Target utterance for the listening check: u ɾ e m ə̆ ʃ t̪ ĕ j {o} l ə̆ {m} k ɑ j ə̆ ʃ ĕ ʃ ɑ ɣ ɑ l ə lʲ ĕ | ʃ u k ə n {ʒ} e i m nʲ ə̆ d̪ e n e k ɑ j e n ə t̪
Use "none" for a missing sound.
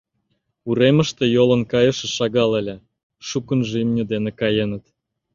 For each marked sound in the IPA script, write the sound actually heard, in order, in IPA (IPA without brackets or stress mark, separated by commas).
o, n, ʒ